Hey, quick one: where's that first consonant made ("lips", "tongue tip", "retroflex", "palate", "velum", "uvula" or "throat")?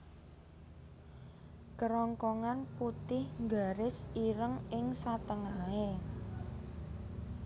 velum